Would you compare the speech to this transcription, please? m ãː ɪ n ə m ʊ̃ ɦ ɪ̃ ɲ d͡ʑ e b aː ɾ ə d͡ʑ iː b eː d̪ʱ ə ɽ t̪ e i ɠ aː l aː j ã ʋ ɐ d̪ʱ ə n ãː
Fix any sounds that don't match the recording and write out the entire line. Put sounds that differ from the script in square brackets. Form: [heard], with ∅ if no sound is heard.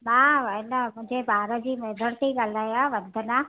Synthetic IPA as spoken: m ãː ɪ n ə m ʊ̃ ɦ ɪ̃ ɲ d͡ʑ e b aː ɾ ə d͡ʑ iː [m] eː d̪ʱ ə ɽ t̪ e i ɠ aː l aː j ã ʋ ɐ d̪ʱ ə n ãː